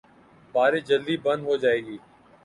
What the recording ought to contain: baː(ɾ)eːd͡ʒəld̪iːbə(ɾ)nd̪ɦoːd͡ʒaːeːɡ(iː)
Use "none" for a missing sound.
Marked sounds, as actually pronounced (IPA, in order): ɾ, none, iː

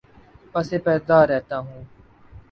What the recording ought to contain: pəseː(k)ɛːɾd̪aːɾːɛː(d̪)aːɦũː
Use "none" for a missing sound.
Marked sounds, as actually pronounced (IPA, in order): p, t̪

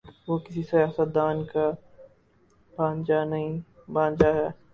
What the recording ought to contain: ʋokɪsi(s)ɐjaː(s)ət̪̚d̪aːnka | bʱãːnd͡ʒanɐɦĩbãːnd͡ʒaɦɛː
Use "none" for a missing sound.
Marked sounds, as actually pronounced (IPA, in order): s, s

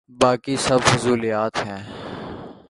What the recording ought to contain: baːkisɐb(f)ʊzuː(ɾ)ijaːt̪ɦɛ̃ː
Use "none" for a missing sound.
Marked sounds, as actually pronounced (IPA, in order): f, l

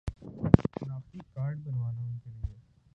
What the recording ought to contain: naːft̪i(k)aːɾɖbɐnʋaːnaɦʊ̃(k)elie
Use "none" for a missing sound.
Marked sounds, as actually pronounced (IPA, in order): k, k

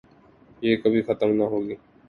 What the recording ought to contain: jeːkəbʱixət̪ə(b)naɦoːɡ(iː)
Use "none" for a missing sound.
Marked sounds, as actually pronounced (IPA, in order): m, iː

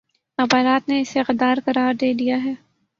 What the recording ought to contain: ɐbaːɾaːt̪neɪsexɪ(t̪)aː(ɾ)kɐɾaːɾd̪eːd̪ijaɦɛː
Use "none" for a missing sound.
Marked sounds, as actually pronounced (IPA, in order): d̪, ɾ

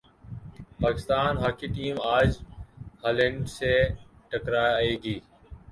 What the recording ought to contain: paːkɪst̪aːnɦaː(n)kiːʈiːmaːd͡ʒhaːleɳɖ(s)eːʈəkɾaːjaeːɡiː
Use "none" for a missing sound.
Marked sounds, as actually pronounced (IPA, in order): none, s

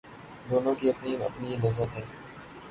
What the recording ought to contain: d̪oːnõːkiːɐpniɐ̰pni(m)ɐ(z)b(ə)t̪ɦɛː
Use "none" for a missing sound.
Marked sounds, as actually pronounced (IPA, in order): n, z, ə

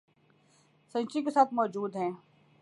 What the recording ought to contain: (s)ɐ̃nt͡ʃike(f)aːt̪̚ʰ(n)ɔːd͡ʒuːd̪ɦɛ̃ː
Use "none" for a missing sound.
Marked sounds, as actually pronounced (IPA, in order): s, s, m

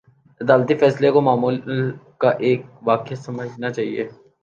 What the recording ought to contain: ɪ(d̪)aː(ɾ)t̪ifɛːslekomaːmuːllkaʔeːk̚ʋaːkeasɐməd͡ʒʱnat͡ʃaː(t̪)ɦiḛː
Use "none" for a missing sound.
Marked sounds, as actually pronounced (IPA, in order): d̪, l, none

